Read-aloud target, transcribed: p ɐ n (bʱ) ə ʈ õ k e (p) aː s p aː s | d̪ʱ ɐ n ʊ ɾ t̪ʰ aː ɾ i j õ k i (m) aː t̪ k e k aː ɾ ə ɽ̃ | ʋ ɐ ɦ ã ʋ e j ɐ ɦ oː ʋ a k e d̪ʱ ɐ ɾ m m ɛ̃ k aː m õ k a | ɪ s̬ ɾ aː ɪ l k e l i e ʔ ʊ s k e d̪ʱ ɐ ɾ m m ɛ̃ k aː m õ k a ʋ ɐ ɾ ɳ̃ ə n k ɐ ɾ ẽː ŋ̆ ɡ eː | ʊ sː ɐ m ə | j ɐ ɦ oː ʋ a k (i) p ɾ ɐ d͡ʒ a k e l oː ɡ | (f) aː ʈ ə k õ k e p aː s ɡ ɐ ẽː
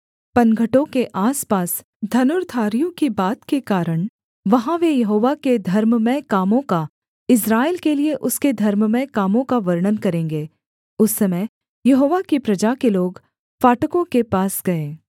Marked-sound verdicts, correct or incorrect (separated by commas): incorrect, incorrect, incorrect, correct, correct